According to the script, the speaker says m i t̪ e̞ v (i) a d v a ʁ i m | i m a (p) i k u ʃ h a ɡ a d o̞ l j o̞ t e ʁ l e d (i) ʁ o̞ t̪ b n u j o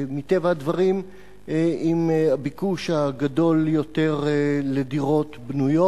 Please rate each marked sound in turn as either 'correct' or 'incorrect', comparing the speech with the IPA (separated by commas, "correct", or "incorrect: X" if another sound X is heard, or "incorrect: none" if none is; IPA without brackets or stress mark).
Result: incorrect: a, incorrect: b, correct